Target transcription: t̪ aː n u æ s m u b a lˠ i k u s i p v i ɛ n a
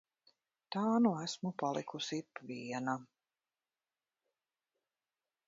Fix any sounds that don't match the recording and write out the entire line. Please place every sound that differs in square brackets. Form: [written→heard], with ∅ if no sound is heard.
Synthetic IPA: t̪ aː n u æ s m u [b→p] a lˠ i k u s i p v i ɛ n a